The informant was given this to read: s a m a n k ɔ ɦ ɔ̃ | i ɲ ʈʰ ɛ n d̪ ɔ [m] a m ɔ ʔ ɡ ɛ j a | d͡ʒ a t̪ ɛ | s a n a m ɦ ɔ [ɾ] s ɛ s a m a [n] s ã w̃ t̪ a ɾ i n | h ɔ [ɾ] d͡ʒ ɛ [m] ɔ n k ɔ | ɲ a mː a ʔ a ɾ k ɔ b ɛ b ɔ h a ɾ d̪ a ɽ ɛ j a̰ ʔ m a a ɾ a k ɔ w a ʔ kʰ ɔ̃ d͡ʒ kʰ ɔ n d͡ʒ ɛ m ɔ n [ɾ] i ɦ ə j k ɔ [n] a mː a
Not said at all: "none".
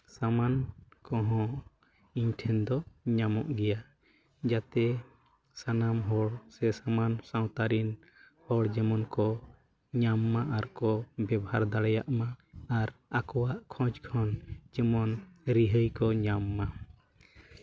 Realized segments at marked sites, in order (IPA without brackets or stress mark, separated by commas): ɲ, ɽ, n, ɽ, m, ɾ, ɲ